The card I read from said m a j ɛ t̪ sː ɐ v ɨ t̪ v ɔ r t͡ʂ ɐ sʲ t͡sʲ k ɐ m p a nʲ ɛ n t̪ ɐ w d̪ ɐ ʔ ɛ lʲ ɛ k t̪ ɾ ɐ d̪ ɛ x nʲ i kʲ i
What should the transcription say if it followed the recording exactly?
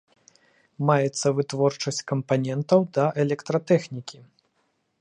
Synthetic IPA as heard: m a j ɛ t̪ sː ɐ v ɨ t̪ v ɔ r t͡ʂ ɐ sʲ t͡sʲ k ɐ m p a nʲ ɛ n t̪ ɐ w d̪ ɐ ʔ ɛ lʲ ɛ k t̪ ɾ ɐ t̪ ɛ x nʲ i kʲ i